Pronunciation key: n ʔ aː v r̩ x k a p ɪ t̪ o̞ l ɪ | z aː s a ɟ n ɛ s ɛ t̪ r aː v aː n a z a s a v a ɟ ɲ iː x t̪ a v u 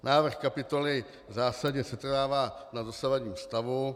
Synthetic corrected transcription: n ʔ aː v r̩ x k a p ɪ t̪ o̞ l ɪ | z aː s a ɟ ɲ ɛ s ɛ t̪ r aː v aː n a z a s a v a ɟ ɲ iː s t̪ a v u